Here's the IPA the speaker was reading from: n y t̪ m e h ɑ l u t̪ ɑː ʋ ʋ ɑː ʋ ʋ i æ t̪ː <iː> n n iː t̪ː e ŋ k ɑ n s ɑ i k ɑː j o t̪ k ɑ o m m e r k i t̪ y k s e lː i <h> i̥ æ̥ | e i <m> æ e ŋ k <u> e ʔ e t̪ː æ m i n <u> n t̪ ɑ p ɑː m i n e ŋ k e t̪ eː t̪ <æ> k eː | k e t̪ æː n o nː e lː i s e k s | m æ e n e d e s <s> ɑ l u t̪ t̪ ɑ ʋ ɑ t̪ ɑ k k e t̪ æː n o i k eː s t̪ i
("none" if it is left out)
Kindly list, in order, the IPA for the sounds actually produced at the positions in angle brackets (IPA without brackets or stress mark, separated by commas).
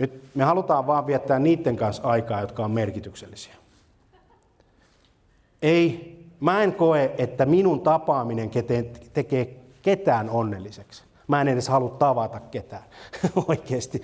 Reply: æː, s, m, o, u, e, h